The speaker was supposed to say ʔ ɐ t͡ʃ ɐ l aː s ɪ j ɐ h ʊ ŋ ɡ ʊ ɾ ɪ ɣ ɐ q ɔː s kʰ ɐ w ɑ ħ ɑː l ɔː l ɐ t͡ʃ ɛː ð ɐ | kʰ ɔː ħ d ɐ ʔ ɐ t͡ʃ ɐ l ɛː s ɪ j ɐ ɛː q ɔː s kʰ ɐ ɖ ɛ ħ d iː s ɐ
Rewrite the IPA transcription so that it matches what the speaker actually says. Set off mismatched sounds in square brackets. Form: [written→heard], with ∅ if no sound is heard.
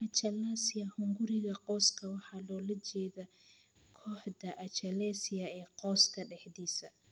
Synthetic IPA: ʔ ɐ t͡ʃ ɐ l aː s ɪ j ɐ h ʊ ŋ ɡ ʊ ɾ ɪ ɣ ɐ q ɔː s kʰ ɐ w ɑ ħ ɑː l ɔː l ɐ t͡ʃ ɛː ð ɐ | kʰ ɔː ħ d ɐ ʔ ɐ t͡ʃ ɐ l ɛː s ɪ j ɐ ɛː q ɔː s kʰ ɐ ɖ ɛ ħ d iː s ɐ